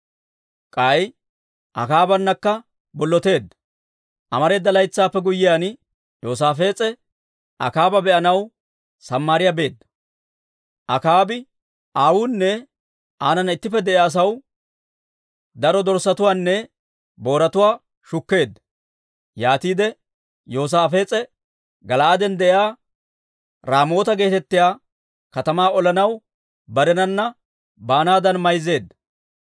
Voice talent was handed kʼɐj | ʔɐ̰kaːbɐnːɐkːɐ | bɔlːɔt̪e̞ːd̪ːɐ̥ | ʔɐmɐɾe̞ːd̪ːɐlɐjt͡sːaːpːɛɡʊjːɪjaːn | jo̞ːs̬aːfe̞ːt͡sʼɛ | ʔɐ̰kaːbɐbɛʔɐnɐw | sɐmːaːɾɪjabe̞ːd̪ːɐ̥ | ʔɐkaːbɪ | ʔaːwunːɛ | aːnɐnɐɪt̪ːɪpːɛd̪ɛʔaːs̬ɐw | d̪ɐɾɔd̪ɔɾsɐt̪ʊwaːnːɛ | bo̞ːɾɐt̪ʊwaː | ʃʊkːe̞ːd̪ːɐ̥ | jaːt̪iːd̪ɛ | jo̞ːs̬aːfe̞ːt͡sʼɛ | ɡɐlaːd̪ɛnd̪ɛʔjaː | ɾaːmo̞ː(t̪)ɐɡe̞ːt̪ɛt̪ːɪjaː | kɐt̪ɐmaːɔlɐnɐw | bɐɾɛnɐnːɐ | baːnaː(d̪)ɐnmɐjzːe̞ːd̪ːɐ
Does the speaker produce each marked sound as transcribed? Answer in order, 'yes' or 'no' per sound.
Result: yes, yes

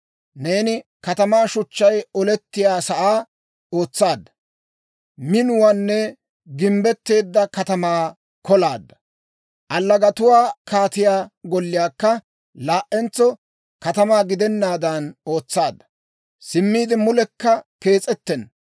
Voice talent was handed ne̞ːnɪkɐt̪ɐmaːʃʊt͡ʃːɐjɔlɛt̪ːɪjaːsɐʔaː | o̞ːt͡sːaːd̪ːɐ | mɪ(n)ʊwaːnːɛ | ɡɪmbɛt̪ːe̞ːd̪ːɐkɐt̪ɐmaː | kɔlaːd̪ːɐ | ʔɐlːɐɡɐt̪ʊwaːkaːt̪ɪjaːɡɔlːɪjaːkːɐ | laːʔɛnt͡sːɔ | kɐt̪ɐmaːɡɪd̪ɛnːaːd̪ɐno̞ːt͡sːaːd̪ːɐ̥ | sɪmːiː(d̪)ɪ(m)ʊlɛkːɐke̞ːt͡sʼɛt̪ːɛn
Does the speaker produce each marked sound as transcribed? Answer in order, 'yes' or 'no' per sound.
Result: yes, yes, yes

